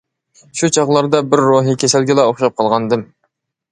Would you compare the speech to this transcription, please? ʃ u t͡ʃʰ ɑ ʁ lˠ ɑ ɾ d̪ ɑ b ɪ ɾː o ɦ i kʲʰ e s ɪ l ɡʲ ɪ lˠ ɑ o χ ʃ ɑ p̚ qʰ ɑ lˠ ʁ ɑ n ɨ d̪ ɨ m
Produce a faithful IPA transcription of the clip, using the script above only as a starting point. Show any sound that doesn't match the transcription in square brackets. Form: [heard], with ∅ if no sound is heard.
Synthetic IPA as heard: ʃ u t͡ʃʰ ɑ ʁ lˠ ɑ ɾ d̪ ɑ b ɪ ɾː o ɦ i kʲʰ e s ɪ l ɡʲ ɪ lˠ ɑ o χ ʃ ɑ p̚ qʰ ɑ lˠ ʁ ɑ n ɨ d̪ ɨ m